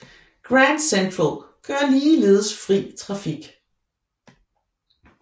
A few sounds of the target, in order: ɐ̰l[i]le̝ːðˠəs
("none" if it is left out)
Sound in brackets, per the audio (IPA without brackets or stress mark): iː